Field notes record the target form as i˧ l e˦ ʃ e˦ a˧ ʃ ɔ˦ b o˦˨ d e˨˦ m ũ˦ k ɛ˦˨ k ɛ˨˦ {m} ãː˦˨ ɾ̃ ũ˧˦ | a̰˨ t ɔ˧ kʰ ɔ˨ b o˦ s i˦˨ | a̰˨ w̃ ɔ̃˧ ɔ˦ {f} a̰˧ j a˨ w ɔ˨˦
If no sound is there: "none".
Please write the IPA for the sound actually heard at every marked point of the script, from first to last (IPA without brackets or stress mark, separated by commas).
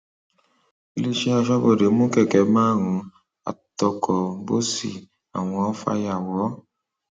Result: m, f